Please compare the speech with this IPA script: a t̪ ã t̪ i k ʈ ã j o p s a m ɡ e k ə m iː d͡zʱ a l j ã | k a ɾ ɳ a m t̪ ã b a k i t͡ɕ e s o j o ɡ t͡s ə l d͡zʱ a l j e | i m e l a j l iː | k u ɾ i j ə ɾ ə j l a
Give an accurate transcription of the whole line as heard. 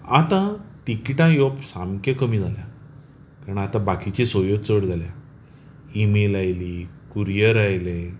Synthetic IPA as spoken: a t̪ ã t̪ i k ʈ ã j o p s a m k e k ə m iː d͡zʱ a l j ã | k a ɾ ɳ a t̪ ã b a k i t͡ɕ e s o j o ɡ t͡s ə ɽ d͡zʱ a l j a | i m e l a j l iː | k u ɾ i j ə ɾ a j l e